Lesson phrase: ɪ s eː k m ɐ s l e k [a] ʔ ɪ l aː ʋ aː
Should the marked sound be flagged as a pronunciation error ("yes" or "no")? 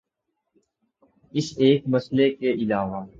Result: yes